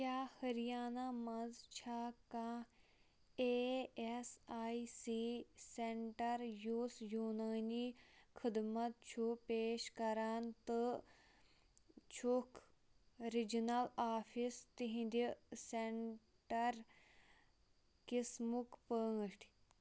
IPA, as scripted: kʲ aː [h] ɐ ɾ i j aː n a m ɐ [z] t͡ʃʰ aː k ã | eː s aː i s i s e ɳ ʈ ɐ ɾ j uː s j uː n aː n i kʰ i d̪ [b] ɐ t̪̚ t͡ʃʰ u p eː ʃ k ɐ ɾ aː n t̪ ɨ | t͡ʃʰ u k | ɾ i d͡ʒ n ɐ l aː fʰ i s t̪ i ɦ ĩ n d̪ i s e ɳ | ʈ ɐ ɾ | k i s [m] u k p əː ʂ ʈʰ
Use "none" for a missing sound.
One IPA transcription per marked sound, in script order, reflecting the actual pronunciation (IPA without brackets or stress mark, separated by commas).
h, z, m, m